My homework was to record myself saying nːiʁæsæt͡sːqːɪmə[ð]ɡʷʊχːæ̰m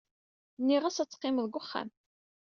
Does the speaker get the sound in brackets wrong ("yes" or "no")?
no